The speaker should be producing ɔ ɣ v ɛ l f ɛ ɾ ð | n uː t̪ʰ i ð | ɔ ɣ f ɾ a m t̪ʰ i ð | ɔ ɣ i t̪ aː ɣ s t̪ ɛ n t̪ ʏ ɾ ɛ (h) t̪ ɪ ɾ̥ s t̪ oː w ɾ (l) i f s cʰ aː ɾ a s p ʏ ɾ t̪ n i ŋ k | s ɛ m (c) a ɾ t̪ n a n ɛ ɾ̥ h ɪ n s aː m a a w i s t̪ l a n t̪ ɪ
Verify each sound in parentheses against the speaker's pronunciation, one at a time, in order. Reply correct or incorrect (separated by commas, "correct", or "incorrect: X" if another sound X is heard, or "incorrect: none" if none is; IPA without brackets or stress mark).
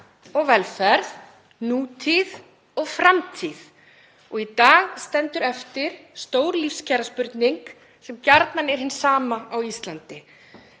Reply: incorrect: f, correct, correct